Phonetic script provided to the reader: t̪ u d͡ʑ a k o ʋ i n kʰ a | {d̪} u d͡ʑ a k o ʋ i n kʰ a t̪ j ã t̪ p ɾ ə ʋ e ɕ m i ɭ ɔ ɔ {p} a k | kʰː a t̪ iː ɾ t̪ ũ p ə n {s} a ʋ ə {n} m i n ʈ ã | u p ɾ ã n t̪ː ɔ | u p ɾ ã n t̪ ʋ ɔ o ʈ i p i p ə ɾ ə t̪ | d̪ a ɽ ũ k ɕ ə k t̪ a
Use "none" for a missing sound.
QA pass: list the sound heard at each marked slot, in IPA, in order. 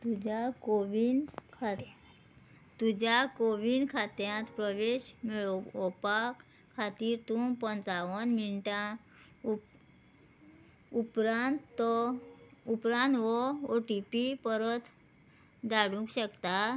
t̪, p, t͡s, n

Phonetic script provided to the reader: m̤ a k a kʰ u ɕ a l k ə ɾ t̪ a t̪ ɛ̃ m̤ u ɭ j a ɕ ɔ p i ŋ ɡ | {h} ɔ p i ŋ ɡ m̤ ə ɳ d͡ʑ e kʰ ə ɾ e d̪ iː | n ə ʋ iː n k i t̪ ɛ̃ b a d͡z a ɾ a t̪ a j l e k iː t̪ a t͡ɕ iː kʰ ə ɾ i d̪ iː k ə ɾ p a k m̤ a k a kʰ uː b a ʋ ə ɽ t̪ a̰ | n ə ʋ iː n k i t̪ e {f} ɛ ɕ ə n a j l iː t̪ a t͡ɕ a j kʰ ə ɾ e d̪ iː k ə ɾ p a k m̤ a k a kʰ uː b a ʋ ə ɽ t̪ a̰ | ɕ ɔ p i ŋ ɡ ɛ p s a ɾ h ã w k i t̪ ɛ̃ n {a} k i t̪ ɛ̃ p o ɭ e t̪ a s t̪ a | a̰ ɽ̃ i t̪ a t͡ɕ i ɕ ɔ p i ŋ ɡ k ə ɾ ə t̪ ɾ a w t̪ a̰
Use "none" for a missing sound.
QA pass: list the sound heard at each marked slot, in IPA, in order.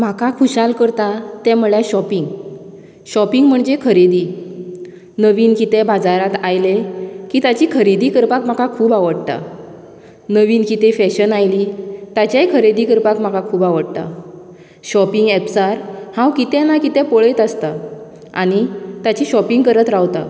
ɕ, f, a

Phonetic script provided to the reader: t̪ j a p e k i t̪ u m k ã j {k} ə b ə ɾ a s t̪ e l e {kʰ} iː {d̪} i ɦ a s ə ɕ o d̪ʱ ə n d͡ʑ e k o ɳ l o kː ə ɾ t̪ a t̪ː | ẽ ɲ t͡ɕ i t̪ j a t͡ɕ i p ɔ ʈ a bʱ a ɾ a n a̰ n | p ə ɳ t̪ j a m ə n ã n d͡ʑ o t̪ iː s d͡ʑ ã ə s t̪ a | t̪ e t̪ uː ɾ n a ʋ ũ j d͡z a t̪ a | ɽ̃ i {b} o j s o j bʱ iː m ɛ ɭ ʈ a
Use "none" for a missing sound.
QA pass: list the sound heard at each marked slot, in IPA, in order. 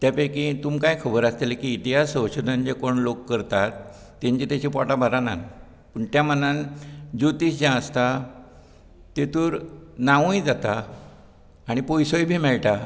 kʰ, k, t̪, p

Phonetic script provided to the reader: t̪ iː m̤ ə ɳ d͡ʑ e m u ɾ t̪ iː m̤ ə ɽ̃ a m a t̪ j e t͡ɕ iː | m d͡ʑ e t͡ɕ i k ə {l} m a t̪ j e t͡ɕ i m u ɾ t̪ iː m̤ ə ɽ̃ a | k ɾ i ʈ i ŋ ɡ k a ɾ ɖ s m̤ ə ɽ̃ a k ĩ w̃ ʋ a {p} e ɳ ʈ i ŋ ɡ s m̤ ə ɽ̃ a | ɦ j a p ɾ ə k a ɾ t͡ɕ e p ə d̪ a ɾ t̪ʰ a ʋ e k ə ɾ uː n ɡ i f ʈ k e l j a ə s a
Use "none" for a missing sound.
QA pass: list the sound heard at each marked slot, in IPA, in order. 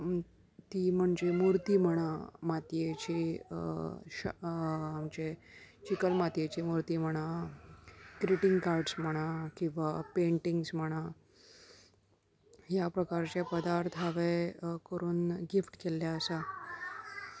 l, p

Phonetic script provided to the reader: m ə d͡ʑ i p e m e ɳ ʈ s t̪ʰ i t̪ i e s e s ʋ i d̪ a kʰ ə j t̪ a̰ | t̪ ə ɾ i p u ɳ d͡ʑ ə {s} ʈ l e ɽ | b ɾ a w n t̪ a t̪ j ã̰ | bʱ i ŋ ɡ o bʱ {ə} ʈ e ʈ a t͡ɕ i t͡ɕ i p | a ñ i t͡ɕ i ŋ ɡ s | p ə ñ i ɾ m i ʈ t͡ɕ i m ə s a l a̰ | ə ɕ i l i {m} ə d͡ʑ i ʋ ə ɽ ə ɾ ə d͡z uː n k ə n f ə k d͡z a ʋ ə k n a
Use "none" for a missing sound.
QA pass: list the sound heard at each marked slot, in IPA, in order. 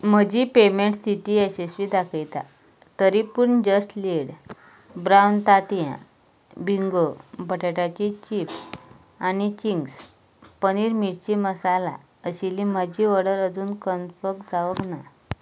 s, ə, m

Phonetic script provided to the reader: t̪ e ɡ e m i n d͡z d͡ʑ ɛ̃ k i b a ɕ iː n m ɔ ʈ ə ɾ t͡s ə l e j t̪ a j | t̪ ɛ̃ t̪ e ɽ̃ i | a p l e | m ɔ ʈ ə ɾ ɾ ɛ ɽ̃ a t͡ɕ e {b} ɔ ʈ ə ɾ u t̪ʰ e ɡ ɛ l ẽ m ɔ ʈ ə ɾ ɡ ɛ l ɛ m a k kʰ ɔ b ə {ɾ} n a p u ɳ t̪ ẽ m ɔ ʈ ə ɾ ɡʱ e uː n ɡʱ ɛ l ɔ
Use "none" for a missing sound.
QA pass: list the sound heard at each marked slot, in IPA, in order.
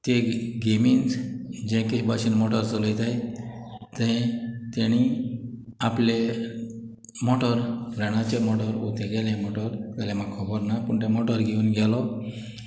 m, ɾ

